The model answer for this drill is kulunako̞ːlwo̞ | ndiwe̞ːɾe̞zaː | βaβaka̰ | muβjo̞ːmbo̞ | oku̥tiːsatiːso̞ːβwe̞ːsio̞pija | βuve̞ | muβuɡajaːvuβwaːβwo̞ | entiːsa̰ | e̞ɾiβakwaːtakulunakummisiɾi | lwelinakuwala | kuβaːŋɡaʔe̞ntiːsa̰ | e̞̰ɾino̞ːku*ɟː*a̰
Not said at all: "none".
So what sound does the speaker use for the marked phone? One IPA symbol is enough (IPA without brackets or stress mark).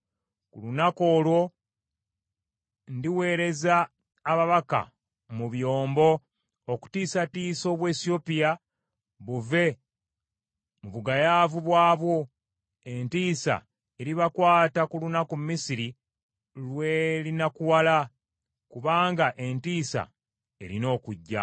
ɟː